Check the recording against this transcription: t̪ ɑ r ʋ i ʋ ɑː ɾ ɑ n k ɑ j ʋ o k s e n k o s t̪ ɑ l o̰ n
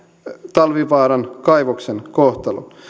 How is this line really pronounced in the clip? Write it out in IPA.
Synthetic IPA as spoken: t̪ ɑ l ʋ i ʋ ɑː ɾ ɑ n k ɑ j ʋ o k s e n k o h t̪ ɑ l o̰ n